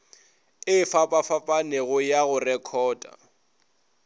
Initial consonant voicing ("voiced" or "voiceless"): voiceless